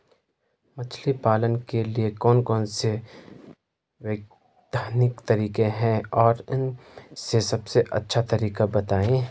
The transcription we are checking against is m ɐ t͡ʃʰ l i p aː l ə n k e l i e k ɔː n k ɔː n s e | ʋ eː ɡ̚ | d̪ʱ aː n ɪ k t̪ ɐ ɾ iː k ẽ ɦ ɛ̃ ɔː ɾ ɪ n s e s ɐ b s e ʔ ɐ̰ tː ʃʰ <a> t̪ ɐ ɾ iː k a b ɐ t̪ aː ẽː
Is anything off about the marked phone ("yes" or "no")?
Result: no